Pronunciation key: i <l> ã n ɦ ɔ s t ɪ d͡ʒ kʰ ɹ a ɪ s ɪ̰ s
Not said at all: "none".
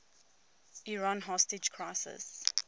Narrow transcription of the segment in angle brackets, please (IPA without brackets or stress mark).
ɹ